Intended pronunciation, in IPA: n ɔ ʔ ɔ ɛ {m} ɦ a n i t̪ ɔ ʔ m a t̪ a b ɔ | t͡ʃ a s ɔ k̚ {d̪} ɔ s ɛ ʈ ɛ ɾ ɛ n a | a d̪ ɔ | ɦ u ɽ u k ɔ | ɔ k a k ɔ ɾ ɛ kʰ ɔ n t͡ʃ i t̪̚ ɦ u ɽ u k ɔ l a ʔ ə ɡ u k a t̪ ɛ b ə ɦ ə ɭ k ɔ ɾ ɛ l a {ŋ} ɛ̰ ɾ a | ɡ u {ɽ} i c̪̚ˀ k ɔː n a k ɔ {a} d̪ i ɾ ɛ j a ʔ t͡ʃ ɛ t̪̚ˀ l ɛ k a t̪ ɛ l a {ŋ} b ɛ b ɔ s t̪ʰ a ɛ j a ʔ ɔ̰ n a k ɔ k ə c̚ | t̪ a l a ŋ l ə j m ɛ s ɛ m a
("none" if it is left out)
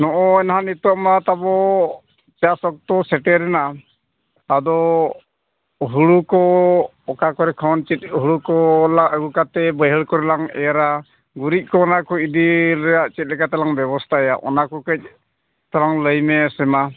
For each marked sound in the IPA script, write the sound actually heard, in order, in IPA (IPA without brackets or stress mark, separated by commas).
n, t̪, ŋ, ɾ, i, ŋ